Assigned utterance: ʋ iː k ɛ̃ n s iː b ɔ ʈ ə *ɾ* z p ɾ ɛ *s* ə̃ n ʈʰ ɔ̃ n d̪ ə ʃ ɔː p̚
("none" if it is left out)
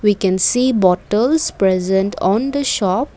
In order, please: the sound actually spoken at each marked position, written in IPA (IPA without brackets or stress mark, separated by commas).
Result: l, z